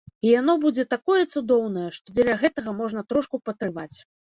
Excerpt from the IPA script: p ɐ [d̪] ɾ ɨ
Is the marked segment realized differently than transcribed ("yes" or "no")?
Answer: yes